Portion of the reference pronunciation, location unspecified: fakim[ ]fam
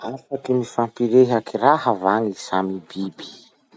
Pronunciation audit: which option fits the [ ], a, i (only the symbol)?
i